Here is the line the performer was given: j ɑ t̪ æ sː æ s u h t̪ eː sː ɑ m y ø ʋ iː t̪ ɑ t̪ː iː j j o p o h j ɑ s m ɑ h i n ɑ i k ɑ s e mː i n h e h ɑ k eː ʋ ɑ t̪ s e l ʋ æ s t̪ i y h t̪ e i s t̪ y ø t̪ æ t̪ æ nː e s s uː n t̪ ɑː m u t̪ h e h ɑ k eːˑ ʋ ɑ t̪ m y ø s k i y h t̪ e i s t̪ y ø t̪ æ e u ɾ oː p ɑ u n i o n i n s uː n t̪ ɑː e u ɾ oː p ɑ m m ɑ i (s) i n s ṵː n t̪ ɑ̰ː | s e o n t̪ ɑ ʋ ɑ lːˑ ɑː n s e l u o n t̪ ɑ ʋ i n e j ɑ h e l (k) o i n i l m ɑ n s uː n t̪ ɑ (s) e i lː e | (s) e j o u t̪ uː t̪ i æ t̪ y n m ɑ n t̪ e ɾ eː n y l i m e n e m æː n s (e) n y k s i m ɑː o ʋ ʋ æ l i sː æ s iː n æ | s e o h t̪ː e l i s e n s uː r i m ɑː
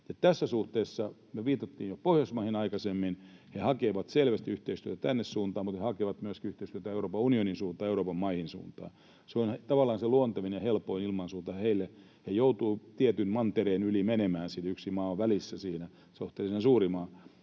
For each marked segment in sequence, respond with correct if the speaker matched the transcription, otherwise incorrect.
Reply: incorrect: h, incorrect: p, incorrect: h, incorrect: h, incorrect: i

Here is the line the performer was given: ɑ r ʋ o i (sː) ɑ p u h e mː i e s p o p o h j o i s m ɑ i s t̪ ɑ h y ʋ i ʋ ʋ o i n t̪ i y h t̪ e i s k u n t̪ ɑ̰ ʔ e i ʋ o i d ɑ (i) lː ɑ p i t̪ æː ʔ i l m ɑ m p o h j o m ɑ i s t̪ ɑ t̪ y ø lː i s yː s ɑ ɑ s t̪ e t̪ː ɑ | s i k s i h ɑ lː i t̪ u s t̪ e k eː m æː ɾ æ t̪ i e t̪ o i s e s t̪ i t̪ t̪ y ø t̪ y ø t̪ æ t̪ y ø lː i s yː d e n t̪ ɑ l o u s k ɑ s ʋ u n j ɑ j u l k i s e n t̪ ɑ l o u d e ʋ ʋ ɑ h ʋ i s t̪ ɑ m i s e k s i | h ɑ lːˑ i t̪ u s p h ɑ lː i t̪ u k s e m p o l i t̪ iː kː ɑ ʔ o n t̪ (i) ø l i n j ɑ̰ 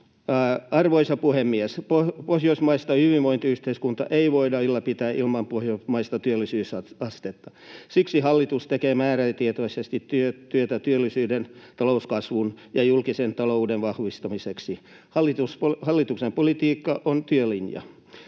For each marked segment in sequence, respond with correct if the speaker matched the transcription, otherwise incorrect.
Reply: incorrect: s, correct, incorrect: y

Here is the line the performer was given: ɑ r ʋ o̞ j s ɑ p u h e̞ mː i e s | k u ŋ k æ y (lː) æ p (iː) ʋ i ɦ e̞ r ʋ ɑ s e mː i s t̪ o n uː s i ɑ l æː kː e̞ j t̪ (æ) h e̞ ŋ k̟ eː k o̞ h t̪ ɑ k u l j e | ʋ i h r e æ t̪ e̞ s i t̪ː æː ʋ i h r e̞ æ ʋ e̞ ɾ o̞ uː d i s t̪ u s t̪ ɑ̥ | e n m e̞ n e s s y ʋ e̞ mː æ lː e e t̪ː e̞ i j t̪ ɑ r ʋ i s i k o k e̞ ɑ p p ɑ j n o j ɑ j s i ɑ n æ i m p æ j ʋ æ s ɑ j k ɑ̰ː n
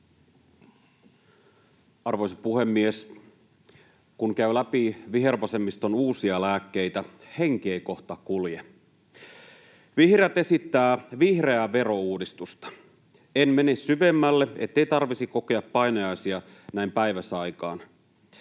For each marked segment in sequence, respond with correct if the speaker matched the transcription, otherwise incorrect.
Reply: incorrect: l, incorrect: i, correct

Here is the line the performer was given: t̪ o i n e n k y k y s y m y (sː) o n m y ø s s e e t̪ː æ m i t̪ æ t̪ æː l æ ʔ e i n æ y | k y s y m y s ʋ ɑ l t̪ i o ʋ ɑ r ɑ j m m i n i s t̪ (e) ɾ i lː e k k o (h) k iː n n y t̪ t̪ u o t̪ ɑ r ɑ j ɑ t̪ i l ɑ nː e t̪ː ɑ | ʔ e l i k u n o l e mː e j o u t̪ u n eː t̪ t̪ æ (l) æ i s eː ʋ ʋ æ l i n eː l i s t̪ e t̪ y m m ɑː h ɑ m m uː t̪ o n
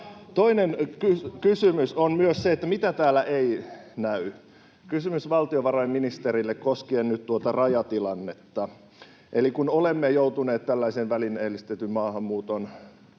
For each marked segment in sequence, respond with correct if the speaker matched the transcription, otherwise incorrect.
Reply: incorrect: s, correct, incorrect: s, incorrect: lː

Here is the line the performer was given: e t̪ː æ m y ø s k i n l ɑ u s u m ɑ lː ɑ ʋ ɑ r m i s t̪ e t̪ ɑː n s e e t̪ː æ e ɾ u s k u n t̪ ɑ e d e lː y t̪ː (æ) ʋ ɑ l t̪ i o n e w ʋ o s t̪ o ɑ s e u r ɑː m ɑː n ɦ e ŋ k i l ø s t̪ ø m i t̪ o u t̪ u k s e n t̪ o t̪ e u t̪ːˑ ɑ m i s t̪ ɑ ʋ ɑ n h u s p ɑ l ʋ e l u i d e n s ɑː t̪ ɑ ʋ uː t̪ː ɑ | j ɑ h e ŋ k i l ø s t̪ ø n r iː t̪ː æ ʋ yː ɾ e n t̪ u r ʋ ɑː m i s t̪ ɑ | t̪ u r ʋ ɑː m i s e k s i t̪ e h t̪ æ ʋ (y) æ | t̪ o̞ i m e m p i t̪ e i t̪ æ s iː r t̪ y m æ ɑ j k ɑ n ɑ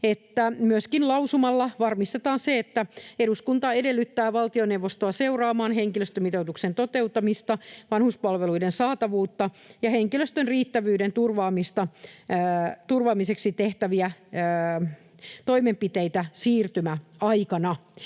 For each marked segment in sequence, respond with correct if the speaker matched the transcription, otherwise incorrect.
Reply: incorrect: æː, incorrect: i

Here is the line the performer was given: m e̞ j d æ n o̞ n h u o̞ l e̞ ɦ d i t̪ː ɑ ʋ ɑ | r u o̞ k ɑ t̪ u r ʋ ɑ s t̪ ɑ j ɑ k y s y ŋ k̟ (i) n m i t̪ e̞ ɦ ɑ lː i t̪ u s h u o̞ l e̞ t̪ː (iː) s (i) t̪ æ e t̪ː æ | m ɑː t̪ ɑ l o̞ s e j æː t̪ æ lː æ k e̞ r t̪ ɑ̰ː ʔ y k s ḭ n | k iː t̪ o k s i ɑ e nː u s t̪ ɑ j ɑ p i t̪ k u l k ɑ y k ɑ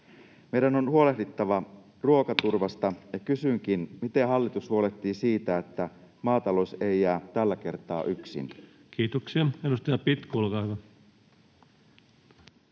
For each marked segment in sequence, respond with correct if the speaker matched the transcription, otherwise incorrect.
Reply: correct, correct, incorrect: iː

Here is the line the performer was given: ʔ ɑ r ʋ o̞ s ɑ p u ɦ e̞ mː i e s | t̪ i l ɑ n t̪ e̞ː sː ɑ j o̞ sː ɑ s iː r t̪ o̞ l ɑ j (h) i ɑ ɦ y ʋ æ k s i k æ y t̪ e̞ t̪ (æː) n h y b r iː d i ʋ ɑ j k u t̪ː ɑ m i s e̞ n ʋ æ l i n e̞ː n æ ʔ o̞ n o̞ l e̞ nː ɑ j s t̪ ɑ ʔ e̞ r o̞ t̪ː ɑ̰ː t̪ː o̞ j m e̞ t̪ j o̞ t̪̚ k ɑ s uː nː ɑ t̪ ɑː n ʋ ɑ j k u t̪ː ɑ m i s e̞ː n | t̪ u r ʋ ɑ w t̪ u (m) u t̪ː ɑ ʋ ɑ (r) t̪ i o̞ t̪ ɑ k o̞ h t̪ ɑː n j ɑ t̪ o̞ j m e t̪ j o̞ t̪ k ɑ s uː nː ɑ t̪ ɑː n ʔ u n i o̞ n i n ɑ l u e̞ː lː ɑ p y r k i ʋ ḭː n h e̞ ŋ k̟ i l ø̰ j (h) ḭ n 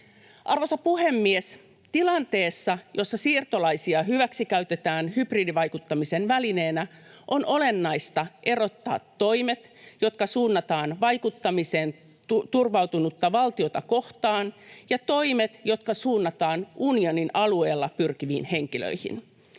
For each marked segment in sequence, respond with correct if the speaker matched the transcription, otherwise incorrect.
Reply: incorrect: s, correct, incorrect: n, incorrect: l, correct

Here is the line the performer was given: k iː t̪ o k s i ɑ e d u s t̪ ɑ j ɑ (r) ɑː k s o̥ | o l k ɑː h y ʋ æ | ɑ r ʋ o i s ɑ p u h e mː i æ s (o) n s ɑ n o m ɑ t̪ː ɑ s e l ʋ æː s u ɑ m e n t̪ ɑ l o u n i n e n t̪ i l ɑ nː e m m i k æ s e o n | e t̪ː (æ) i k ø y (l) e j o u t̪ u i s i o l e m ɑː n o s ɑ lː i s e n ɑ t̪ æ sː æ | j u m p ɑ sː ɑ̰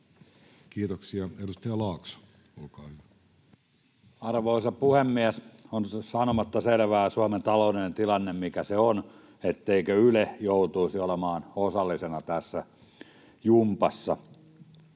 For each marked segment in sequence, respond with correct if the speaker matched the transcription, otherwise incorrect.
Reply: incorrect: l, correct, incorrect: e, correct

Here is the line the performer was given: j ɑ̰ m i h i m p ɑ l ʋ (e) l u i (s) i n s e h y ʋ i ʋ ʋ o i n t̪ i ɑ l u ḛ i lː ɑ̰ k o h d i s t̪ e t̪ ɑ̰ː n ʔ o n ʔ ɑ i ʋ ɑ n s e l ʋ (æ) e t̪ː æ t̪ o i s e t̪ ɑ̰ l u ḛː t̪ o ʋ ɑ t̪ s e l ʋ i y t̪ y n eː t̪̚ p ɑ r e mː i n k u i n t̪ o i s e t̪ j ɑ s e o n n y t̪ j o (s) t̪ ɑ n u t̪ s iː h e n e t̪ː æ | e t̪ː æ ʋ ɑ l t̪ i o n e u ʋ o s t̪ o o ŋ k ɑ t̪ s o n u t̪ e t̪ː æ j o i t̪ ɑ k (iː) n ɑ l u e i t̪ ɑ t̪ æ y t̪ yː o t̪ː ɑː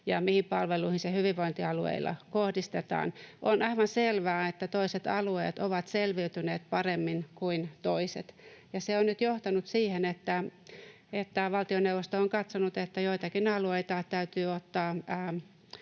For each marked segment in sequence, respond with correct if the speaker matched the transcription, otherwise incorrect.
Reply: correct, incorrect: h, incorrect: æː, incorrect: h, incorrect: i

